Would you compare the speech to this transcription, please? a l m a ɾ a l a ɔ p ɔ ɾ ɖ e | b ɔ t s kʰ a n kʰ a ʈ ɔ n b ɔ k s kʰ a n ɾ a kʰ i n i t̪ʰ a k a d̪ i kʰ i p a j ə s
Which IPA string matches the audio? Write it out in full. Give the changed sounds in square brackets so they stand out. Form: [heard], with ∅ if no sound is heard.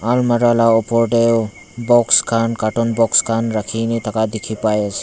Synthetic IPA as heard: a l m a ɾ a l a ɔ p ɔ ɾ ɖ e | b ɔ [k] s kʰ a n [k] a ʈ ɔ n b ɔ k s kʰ a n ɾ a kʰ i n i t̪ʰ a k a d̪ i kʰ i p a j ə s